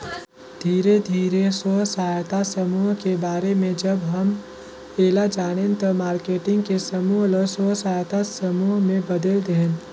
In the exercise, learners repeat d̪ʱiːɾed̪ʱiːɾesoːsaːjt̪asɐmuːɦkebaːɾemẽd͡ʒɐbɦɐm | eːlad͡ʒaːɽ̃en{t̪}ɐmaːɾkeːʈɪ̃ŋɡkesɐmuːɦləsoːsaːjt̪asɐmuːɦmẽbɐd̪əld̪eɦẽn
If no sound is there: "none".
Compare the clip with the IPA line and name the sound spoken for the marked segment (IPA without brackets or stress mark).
t̪